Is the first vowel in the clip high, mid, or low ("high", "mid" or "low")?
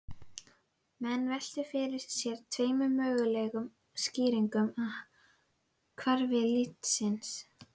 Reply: mid